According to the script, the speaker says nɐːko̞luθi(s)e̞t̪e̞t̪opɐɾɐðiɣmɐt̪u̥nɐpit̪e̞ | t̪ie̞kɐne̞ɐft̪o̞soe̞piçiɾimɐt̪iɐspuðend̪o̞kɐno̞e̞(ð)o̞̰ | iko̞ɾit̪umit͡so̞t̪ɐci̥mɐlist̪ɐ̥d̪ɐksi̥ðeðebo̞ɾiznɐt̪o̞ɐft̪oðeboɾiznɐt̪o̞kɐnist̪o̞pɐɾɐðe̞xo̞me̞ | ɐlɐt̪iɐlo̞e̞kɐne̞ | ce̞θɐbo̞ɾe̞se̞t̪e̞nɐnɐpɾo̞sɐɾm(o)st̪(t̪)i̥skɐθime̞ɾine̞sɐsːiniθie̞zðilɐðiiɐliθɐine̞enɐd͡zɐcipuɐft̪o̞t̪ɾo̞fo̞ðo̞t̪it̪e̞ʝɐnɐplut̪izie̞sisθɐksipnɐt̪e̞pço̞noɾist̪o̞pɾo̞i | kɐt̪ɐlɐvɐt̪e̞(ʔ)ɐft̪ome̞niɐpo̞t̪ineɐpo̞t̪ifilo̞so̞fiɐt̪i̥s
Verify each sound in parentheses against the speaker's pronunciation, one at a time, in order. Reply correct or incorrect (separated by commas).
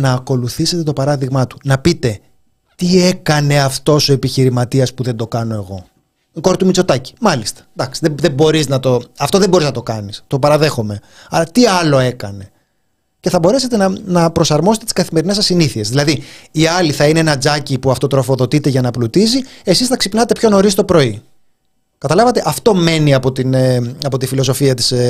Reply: correct, incorrect, correct, correct, correct